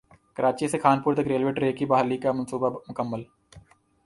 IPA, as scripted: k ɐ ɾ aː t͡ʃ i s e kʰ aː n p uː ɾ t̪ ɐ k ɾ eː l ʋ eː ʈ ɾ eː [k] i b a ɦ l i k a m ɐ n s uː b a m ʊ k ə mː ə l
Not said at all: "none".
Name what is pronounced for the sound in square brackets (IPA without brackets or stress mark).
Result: k